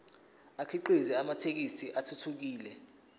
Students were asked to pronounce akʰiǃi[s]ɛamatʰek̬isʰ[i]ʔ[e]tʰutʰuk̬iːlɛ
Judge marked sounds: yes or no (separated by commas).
no, yes, no